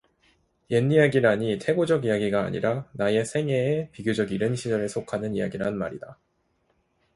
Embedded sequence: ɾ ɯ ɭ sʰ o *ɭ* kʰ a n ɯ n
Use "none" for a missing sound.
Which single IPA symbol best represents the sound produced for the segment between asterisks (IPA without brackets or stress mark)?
none